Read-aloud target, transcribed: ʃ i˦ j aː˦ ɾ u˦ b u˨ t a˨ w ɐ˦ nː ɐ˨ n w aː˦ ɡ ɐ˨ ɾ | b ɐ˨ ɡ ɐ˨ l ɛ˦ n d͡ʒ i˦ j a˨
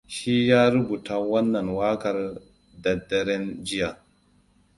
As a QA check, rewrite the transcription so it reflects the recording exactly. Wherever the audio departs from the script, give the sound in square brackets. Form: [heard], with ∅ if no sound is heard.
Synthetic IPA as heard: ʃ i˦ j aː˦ ɾ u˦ b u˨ t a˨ w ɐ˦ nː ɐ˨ n w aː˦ [k] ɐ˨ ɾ | [d] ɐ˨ [d] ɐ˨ [ɾ] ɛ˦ n d͡ʒ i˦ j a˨